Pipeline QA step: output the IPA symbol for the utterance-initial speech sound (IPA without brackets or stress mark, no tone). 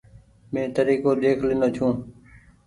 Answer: m